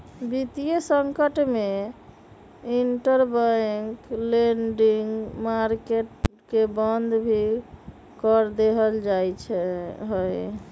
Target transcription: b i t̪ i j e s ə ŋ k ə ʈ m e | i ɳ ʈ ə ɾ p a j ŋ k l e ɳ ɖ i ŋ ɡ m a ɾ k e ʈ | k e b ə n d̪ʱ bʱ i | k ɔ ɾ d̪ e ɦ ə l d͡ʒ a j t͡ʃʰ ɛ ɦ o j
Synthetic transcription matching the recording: b i t̪ i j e s ə ŋ k ə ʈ m e | i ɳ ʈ ə ɾ b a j ŋ k l e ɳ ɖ i ŋ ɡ m a ɾ k e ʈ | k e b ə n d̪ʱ bʱ i | k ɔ ɾ d̪ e ɦ ə l d͡ʒ a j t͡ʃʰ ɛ ɦ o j